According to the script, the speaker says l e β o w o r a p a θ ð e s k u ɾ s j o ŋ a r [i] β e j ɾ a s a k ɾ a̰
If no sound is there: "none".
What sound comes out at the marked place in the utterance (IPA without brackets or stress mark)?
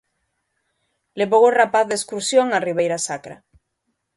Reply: i